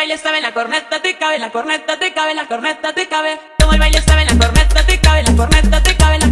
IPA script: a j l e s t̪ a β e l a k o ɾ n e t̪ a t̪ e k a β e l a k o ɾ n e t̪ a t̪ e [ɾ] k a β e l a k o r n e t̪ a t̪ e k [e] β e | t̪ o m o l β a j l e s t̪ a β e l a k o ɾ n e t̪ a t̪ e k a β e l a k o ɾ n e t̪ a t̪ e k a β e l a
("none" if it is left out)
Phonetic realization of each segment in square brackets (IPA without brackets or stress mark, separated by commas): none, a